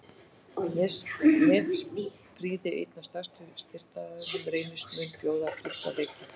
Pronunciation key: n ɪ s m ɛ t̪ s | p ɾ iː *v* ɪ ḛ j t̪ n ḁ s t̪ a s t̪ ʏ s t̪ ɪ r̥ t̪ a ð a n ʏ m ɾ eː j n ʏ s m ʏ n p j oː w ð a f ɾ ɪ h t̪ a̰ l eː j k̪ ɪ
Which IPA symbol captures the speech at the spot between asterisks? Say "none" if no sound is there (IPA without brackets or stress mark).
ð